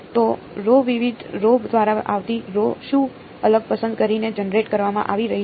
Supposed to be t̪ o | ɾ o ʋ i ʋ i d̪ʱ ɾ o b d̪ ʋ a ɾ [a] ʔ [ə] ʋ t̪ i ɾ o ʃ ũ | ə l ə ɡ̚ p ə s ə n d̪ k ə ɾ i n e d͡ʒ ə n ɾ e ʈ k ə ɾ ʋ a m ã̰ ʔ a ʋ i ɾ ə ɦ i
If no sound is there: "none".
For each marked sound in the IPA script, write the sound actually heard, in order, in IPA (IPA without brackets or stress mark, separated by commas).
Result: a, a